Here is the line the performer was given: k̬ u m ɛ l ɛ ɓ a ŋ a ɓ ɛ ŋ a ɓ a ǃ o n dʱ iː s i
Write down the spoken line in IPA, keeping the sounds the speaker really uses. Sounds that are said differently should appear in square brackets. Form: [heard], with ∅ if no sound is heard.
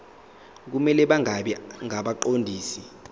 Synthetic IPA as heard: k̬ u m ɛ l ɛ ɓ a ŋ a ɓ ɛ ŋ a ɓ a ǃ o n dʱ iː s i